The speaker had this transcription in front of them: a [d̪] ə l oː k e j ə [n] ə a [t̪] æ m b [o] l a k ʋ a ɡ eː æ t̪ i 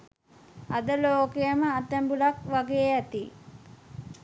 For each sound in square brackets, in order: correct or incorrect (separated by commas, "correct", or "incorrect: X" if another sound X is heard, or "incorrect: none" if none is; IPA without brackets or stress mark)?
correct, incorrect: m, correct, incorrect: u